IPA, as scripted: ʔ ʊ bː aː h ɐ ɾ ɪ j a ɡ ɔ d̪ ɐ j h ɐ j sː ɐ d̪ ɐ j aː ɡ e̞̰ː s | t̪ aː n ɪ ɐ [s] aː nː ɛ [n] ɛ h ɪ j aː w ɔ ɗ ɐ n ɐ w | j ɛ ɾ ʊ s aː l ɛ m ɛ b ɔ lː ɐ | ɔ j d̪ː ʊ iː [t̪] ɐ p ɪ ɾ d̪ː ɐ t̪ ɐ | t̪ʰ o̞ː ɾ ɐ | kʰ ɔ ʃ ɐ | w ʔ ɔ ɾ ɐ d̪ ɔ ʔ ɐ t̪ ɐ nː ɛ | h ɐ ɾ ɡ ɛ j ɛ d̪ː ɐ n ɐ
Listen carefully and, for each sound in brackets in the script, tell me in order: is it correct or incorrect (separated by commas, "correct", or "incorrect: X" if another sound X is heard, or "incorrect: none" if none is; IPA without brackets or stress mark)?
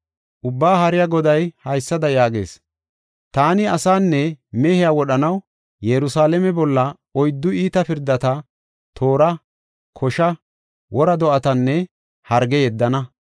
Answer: correct, incorrect: m, correct